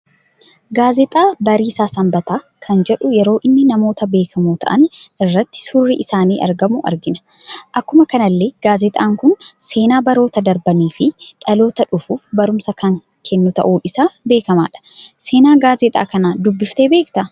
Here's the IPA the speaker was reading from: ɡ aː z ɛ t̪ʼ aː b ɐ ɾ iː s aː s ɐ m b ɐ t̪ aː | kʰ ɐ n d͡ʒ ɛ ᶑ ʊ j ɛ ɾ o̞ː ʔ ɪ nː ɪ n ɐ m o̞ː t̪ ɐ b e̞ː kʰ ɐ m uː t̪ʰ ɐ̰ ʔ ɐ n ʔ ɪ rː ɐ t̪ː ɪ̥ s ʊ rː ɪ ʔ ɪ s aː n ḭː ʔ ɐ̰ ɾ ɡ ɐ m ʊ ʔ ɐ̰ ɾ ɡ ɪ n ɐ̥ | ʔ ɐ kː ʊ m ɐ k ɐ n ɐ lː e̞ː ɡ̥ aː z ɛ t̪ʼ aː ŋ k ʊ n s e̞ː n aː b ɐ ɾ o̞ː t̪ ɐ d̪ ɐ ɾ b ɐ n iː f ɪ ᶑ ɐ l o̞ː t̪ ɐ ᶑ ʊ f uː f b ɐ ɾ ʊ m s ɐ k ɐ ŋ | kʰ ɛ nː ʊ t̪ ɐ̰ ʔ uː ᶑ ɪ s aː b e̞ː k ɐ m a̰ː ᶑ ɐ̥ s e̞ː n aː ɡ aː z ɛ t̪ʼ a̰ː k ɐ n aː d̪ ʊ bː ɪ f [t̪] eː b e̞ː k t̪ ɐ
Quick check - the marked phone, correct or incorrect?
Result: correct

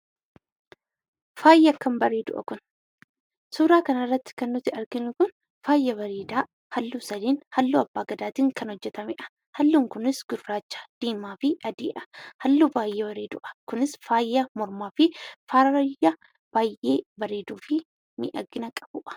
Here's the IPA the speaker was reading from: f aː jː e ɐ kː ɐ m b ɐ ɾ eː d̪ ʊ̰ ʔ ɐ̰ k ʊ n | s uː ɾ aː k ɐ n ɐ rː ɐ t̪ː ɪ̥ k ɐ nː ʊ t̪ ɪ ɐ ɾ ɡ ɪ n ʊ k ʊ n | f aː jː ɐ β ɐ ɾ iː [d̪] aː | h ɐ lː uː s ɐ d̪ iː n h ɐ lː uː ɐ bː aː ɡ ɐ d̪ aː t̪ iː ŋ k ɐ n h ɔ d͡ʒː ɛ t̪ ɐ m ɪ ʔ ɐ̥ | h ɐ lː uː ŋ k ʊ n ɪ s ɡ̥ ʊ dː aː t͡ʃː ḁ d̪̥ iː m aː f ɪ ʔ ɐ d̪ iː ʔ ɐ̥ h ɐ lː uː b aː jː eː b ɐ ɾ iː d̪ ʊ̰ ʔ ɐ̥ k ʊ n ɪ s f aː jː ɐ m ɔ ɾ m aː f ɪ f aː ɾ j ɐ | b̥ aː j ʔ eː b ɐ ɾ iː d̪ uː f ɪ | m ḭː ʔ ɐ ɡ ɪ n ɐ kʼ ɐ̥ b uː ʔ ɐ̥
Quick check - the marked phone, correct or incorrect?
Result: correct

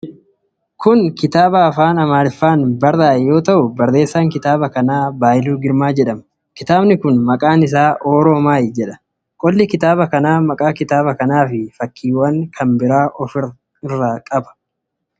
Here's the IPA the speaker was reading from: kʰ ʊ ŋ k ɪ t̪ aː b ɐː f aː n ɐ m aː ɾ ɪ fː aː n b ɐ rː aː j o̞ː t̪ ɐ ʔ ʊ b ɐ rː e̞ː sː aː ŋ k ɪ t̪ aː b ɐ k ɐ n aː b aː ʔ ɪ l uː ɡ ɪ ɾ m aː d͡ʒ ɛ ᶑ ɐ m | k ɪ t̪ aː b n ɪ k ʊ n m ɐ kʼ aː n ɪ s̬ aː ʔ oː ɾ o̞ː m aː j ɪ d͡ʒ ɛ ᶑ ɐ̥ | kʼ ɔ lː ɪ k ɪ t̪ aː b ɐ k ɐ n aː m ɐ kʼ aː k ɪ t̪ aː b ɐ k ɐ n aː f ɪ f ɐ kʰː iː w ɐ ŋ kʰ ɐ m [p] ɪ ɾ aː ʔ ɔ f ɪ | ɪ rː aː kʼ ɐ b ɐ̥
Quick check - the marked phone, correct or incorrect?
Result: incorrect: b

